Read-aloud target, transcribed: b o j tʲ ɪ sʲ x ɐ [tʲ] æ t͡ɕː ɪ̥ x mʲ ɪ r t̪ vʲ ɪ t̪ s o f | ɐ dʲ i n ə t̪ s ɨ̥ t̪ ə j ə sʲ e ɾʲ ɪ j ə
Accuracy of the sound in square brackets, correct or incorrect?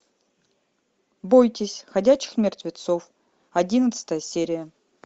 incorrect